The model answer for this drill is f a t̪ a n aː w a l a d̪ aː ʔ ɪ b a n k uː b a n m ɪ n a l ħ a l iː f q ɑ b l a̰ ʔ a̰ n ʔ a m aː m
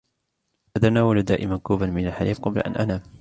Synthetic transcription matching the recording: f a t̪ a n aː w a l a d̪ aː ʔ ɪ m a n k uː b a n m ɪ n a l ħ a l iː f q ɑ b l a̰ ʔ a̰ n ʔ a n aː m